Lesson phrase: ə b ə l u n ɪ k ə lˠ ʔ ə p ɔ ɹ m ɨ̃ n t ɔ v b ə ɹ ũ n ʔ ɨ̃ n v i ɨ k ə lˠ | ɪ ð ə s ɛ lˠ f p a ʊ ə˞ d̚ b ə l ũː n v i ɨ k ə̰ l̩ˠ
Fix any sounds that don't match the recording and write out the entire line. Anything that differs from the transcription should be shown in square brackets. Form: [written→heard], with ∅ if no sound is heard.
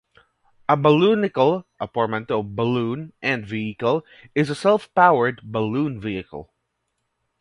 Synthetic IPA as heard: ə b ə l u n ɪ k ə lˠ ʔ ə p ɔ ɹ m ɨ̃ n t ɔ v b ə [ɹ→l] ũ n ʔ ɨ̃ n v i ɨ k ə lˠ | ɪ [ð→z] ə s ɛ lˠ f p a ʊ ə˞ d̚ b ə l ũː n v i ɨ k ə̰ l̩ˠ